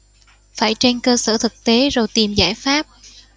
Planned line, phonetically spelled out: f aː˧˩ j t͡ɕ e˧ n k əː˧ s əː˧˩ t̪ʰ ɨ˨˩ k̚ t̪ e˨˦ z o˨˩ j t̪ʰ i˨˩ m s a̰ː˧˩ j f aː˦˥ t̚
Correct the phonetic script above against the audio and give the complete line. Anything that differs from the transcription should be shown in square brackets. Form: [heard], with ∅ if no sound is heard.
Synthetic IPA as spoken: f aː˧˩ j t͡ɕ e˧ n k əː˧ s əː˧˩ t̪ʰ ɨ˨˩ k̚ t̪ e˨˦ z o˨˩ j [t̪] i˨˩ m [z] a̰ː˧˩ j f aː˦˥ [p̚]